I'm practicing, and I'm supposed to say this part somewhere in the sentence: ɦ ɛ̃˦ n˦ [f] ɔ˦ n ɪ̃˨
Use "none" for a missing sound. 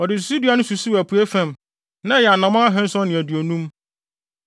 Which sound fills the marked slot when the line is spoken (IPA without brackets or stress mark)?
s